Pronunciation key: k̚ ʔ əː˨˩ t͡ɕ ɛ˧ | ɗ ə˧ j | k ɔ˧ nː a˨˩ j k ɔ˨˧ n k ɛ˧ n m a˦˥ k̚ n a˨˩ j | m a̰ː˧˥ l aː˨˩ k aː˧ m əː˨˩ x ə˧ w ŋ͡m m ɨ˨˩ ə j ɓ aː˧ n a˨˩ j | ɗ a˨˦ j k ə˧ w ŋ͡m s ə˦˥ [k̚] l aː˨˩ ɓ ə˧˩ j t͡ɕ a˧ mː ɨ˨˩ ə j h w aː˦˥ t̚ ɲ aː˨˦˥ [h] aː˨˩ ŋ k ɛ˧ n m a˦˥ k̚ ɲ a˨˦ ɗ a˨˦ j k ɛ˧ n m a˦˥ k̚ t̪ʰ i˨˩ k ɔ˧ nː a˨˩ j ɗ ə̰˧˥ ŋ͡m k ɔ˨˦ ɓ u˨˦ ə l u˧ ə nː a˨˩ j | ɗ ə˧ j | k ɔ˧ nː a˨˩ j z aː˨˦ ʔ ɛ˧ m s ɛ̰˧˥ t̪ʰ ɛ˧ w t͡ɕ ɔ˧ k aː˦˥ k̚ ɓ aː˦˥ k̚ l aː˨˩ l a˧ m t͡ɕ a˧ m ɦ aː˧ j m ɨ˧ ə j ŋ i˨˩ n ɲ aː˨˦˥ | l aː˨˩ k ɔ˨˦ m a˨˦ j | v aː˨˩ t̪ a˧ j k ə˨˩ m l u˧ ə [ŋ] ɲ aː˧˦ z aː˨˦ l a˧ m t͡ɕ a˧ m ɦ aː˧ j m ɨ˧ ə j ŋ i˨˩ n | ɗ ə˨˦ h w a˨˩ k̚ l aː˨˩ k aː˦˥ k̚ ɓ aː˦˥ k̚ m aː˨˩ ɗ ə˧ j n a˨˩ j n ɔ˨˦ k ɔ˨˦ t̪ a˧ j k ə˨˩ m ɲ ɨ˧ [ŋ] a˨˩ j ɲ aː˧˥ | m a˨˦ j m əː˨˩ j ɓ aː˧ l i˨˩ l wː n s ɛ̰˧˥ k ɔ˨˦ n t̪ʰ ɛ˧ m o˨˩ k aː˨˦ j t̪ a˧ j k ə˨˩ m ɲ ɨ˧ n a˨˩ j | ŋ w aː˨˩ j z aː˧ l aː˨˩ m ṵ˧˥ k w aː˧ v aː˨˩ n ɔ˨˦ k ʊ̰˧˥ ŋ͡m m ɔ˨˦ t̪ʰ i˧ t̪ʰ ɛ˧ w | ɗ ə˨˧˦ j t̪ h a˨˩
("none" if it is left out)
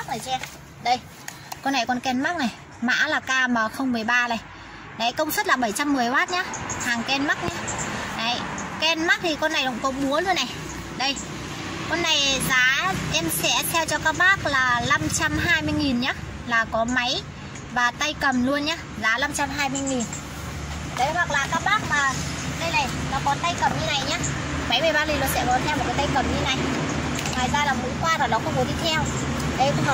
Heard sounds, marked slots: t̚, h, n, n

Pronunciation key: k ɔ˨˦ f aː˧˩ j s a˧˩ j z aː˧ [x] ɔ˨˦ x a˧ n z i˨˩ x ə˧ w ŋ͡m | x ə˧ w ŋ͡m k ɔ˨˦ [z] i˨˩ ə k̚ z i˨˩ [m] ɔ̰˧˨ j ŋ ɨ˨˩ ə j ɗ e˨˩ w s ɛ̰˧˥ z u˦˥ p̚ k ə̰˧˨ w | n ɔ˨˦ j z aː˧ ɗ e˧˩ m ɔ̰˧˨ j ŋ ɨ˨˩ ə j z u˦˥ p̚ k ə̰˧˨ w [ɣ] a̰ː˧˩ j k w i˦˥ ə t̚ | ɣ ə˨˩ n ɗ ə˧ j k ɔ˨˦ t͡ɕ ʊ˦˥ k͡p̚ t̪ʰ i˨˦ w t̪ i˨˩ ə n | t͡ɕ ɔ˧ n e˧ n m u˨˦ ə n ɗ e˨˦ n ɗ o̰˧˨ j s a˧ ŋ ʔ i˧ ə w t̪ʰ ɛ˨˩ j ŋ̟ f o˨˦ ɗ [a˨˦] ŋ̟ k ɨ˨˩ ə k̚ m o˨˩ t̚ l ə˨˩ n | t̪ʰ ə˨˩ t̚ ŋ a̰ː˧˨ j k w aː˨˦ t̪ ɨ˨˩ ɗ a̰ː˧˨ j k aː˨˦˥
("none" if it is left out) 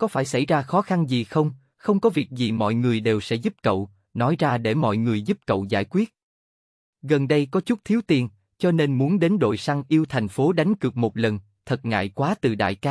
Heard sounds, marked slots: x, v, m, z, a˨˦

